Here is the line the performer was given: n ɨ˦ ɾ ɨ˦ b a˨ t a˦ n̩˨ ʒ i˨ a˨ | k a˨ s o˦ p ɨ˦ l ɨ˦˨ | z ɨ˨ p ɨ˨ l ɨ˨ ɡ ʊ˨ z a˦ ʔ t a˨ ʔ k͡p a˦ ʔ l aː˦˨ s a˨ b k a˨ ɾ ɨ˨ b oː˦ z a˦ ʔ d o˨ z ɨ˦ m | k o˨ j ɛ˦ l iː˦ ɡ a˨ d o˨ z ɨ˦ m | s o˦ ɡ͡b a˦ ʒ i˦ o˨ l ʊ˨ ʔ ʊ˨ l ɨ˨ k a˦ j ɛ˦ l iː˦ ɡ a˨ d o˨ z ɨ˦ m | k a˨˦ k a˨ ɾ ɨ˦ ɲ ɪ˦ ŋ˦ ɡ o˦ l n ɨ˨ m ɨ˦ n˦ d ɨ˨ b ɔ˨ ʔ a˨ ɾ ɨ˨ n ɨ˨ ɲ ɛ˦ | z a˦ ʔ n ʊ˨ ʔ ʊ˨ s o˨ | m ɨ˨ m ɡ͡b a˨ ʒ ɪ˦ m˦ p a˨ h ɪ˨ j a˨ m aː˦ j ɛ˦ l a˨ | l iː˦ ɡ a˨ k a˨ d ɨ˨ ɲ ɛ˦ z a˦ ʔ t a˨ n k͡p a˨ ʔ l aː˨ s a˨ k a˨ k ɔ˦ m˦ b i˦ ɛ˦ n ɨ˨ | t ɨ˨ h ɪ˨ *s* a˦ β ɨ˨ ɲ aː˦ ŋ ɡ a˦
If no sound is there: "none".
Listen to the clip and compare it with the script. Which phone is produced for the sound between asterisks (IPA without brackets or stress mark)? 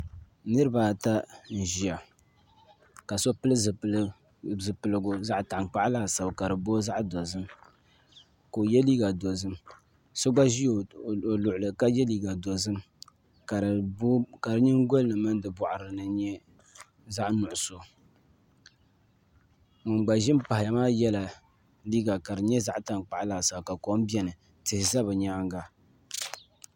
z